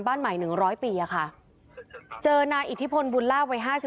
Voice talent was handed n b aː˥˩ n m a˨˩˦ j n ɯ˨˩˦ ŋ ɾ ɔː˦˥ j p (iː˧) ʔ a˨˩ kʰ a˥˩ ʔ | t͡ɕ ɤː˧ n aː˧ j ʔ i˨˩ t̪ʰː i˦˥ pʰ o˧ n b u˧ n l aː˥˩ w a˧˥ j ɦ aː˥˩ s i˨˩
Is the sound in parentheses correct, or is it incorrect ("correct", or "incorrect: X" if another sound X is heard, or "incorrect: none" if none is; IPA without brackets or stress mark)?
correct